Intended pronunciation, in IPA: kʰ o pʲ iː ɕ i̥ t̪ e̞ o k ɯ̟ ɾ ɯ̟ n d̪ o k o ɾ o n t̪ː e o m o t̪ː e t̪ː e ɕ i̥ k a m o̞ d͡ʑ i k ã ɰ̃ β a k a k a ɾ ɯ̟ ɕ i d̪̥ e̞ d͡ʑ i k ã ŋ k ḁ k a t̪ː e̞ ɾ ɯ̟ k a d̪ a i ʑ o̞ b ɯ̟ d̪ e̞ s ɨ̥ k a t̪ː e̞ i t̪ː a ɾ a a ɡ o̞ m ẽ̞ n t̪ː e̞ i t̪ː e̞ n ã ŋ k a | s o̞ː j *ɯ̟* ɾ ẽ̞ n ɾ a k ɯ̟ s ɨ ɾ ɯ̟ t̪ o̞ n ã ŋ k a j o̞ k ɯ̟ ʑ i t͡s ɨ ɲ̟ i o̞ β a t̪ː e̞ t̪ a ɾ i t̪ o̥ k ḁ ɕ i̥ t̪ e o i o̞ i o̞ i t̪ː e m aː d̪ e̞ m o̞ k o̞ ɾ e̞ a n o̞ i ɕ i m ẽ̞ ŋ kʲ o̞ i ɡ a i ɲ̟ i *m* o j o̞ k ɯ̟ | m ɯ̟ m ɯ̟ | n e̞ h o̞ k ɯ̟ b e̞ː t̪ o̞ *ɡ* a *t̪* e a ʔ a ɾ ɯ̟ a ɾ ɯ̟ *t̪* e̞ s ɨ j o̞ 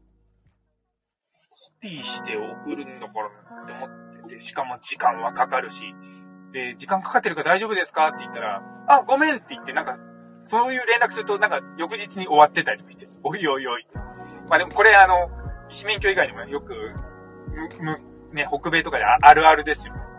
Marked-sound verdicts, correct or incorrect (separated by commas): incorrect, correct, incorrect, incorrect, incorrect